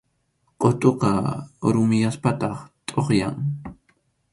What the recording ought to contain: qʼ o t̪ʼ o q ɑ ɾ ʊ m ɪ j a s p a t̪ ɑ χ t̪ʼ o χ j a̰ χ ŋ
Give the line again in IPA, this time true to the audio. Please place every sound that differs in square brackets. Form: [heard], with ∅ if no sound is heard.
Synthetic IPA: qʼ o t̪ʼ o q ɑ ɾ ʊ m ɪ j a s p a t̪ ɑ χ t̪ʼ o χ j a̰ [∅] ŋ